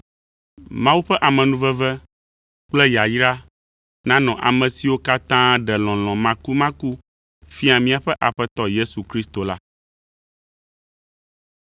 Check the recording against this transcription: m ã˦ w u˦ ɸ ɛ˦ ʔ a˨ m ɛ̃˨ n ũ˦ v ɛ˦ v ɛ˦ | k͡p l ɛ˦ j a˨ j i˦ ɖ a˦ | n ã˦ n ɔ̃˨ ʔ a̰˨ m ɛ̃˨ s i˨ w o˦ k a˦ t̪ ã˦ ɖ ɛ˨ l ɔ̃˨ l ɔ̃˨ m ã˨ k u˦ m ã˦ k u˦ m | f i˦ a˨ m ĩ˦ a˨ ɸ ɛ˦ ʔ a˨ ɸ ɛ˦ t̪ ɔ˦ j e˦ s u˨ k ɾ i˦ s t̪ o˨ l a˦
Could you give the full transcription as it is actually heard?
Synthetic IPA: m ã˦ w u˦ ɸ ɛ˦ ʔ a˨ m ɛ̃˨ n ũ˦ v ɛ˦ v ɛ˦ | k͡p l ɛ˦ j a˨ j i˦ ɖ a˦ | n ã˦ n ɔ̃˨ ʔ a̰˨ m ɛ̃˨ s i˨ w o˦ k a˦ t̪ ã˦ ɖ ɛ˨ l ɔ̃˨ l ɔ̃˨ m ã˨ k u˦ m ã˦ k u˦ | f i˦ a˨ m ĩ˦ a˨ ɸ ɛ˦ ʔ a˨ ɸ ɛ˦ t̪ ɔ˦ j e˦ s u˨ k ɾ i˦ s t̪ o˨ l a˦